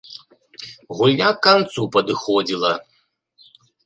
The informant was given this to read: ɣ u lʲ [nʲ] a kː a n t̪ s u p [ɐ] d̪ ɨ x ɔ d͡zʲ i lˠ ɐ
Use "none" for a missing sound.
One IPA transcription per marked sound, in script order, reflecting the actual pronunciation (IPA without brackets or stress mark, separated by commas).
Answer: nʲ, ɐ